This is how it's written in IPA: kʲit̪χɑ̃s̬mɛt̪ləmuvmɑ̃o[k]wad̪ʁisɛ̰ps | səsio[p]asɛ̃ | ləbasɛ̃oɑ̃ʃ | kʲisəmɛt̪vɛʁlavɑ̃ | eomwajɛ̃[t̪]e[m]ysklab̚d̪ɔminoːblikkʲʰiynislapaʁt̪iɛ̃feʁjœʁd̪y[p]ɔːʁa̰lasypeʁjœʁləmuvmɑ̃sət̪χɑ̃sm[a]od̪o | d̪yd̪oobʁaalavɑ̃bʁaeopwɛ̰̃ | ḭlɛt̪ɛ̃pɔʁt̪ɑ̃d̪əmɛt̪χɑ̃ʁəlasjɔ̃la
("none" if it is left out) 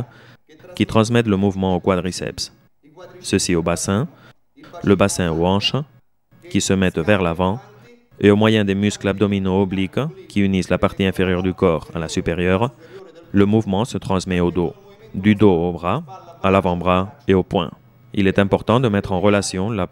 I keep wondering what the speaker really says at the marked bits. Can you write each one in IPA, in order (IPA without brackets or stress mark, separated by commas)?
k, b, d̪, m, k, ɛ